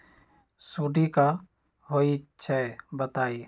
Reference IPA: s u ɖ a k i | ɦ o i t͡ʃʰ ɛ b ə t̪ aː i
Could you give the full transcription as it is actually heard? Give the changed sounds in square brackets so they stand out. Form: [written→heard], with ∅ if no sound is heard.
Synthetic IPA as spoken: s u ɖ [a→i] k [i→a] | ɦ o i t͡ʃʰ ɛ b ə t̪ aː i